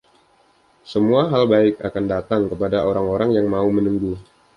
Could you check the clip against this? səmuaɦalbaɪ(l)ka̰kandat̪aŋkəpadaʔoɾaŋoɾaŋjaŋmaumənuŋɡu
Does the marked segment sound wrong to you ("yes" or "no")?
yes